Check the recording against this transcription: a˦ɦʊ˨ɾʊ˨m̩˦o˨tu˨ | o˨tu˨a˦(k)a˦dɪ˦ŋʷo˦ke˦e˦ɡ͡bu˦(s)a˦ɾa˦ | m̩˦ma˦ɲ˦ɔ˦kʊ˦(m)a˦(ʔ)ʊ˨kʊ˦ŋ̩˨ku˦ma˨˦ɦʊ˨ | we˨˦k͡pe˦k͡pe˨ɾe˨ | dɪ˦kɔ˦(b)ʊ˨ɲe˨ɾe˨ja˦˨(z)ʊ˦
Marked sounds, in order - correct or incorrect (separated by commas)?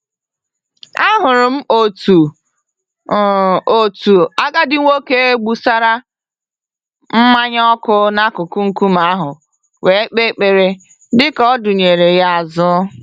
incorrect, correct, incorrect, incorrect, incorrect, correct